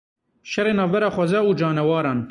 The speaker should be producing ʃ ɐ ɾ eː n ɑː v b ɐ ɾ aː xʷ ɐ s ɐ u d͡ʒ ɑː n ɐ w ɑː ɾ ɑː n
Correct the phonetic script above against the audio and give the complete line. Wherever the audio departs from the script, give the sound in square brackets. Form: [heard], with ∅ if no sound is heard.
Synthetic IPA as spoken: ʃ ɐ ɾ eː n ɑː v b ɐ ɾ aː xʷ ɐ [z] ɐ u d͡ʒ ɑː n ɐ w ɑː ɾ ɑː n